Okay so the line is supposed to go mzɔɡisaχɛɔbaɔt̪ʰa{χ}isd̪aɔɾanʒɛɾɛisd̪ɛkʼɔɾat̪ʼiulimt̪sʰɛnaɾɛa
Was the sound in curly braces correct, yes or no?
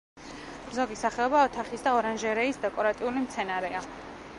yes